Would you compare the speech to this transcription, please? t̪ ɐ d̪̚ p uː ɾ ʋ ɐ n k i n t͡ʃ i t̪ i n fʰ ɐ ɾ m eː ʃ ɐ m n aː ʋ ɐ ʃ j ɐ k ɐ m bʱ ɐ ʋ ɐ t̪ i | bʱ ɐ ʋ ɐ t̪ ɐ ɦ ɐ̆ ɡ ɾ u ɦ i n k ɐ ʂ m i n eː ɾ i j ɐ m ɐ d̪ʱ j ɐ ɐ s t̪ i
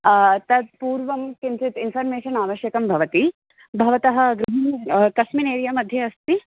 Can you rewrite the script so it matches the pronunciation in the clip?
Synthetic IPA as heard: t̪ ɐ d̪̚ p uː ɾ ʋ ɐ m k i n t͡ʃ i t̪ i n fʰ ɐ ɾ m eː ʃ ɐ n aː ʋ ɐ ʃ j ɐ k ɐ m bʱ ɐ ʋ ɐ t̪ i | bʱ ɐ ʋ ɐ t̪ ɐ ɦ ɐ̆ ɡ ɾ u ɦ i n k ɐ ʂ m i n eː ɾ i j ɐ m ɐ d̪ʱ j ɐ ɐ s t̪ i